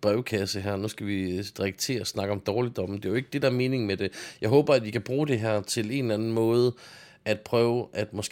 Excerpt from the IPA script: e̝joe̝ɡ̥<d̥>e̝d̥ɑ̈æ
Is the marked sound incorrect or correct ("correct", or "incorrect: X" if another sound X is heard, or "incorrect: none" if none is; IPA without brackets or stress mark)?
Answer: correct